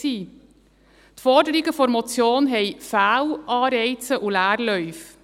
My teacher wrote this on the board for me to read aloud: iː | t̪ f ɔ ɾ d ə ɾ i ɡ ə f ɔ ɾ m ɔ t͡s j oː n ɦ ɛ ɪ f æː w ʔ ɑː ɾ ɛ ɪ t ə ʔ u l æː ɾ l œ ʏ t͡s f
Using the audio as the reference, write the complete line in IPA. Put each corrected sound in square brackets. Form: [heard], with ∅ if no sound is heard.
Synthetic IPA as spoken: iː | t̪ f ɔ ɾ d ə ɾ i ɡ ə f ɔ ɾ m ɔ t͡s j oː n ɦ ɛ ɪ f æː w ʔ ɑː ɾ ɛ ɪ [t͡s] ə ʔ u l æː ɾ l œ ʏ [∅] f